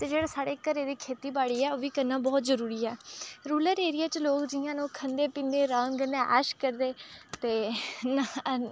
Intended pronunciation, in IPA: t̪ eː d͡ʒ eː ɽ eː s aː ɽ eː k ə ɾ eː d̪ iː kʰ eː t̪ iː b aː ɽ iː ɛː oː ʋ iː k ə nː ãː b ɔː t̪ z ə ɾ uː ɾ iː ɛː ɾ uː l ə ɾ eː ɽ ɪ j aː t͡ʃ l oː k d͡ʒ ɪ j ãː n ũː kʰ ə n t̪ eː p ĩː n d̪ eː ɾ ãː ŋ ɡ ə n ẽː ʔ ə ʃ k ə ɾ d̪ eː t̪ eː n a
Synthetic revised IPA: t̪ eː d͡ʒ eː ɽ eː s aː ɽ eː k ə ɾ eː d̪ iː kʰ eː t̪ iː b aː ɽ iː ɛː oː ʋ iː k ə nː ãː b ɔː t̪ z ə ɾ uː ɾ iː ɛː ɾ uː l ə ɾ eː ɾ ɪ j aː t͡ʃ l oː k d͡ʒ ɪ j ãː n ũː kʰ ə n d̪ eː p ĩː n d̪ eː ɾ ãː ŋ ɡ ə n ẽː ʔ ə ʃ k ə ɾ d̪ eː t̪ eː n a

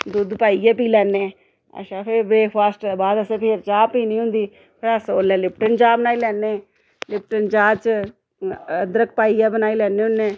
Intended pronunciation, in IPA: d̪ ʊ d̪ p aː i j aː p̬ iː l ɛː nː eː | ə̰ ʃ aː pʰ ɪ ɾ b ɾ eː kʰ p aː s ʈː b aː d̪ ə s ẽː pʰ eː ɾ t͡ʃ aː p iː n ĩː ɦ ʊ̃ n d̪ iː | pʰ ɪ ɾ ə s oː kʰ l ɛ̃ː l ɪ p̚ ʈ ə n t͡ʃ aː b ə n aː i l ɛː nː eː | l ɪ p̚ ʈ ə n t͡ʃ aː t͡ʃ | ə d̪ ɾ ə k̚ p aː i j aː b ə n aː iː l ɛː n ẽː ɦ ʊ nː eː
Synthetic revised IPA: d̪ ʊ d̪ p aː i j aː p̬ iː l ɛː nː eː | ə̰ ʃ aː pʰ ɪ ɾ b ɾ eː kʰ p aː s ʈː b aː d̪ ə s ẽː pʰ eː ɾ t͡ʃ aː p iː n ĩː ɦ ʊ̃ n d̪ iː | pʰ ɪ ɾ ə s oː l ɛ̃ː l ɪ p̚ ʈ ə n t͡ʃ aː b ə n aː i l ɛː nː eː | l ɪ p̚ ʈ ə n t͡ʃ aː t͡ʃ | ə d̪ ɾ ə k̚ p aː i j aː b ə n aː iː l ɛː n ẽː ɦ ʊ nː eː

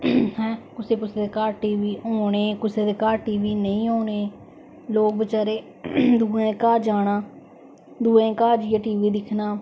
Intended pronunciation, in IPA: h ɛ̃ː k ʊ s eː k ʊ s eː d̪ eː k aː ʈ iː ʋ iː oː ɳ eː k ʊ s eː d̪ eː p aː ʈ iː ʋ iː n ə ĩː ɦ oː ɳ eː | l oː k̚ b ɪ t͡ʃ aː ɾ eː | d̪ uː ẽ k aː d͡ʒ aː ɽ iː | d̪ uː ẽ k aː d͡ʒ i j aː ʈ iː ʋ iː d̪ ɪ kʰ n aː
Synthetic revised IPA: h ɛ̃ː k ʊ s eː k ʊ s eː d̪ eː k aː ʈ iː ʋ iː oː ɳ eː k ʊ s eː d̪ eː k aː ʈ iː ʋ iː n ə ĩː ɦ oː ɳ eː | l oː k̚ b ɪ t͡ʃ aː ɾ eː | d̪ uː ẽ k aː d͡ʒ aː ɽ aː | d̪ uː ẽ k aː d͡ʒ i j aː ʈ iː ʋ iː d̪ ɪ kʰ n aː

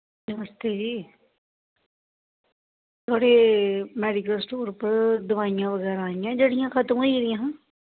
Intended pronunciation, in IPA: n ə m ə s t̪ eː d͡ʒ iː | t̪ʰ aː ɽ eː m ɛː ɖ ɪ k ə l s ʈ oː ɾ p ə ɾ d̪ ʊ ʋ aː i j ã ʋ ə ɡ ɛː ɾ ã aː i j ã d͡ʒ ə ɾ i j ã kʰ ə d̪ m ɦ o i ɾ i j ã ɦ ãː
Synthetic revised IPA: n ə m ə s t̪ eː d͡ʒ iː | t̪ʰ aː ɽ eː m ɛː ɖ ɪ k ə l s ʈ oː ɾ p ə ɾ d̪ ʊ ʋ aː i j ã ʋ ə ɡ ɛː ɾ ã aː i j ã d͡ʒ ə ɽ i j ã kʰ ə t̪ m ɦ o i ɾ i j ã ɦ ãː

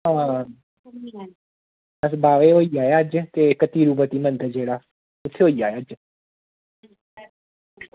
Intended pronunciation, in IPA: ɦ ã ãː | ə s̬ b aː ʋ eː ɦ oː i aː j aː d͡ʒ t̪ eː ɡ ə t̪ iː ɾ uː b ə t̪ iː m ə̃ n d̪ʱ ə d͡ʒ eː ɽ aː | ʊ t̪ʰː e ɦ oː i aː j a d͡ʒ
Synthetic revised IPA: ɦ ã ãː | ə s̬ b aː ʋ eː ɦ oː i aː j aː d͡ʒ t̪ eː k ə t̪ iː ɾ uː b ə t̪ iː m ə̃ n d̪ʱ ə d͡ʒ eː ɽ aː | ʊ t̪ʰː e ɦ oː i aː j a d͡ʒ

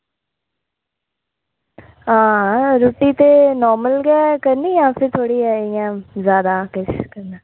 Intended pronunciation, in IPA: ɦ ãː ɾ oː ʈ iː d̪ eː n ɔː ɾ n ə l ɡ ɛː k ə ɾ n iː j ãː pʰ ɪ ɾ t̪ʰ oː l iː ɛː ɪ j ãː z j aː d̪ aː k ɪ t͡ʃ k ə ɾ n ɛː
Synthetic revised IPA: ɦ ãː ɾ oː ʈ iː t̪ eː n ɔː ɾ m ə l ɡ ɛː k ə ɾ n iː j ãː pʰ ɪ ɾ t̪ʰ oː ɽ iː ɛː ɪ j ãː z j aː d̪ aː k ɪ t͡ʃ k ə ɾ n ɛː

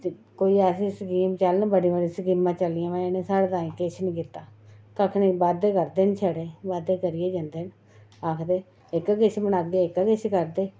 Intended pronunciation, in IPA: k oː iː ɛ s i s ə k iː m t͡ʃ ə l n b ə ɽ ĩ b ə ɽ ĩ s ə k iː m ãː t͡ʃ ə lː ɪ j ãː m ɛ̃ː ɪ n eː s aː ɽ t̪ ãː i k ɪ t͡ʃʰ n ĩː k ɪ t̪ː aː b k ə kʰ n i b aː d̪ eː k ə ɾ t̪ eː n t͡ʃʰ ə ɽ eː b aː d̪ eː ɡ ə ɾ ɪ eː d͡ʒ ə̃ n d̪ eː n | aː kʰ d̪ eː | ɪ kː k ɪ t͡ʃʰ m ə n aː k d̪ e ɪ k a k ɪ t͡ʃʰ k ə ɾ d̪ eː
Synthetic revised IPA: k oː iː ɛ s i s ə k iː m t͡ʃ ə l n b ə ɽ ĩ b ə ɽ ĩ s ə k iː m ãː t͡ʃ ə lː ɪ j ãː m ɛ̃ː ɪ n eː s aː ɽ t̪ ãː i k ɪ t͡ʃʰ n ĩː k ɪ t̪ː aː k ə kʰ n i b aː d̪ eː k ə ɾ d̪ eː n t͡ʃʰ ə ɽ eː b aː d̪ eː k ə ɾ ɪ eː d͡ʒ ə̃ n d̪ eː n | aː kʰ d̪ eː | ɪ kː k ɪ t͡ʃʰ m ə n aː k d̪ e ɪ k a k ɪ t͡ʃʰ k ə ɾ d̪ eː

